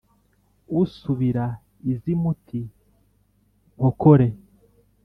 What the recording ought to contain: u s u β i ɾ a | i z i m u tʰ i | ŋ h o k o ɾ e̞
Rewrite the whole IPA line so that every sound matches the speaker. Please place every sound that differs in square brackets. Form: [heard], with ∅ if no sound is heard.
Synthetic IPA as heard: u s u β i ɾ a | i z i m u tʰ i | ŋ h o k o ɾ e̞